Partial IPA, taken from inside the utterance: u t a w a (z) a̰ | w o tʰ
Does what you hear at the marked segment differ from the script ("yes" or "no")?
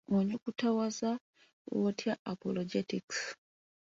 no